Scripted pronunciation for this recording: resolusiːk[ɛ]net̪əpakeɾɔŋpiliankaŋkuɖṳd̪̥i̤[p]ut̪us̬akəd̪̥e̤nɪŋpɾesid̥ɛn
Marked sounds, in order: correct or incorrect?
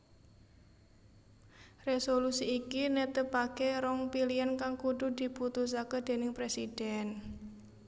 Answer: incorrect: i, correct

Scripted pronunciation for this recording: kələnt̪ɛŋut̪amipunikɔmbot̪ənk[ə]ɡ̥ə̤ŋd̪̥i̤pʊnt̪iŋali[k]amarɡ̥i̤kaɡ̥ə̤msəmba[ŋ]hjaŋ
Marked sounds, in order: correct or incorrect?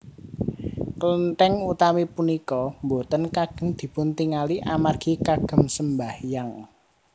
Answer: incorrect: a, incorrect: ʔ, incorrect: none

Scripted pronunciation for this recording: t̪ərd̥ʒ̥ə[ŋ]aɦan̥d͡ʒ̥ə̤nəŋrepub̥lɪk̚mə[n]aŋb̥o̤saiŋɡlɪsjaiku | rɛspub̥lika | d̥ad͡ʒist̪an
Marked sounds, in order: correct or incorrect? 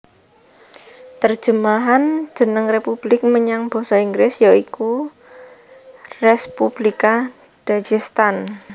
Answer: incorrect: m, incorrect: ɲ

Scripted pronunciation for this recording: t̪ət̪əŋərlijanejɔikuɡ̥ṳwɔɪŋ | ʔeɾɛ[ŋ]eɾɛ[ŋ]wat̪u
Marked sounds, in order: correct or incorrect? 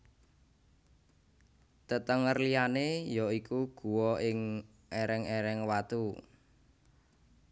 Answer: correct, correct

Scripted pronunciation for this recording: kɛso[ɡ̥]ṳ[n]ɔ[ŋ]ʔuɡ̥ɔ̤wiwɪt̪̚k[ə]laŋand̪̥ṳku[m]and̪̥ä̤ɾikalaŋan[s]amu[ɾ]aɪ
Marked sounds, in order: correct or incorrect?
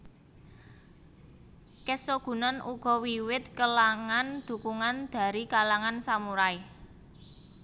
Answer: correct, correct, incorrect: n, correct, incorrect: ŋ, correct, correct

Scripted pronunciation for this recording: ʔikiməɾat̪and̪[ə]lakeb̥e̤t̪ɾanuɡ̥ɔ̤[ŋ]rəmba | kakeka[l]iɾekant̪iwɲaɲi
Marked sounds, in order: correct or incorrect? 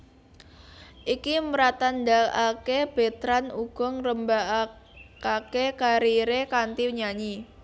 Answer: incorrect: a, correct, incorrect: ɾ

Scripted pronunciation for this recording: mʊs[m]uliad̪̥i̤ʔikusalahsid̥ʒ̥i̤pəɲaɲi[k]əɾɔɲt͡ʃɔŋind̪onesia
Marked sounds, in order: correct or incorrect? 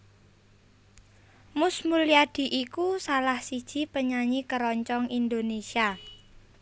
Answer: correct, correct

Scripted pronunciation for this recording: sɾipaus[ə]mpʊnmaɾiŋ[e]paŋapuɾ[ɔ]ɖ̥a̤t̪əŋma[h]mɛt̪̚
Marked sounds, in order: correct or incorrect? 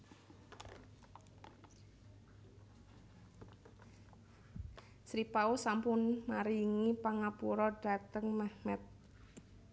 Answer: incorrect: a, incorrect: i, correct, correct

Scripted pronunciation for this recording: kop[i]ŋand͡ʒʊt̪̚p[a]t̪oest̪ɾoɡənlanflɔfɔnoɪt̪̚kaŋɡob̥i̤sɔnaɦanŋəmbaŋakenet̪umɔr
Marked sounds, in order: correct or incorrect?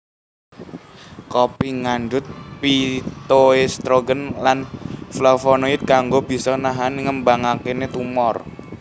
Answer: correct, incorrect: i

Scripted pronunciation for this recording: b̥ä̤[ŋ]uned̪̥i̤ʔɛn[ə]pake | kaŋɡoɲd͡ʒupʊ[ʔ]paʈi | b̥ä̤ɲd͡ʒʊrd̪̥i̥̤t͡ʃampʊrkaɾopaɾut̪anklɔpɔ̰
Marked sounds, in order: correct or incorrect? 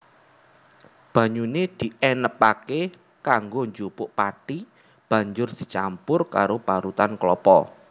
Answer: incorrect: ɲ, correct, correct

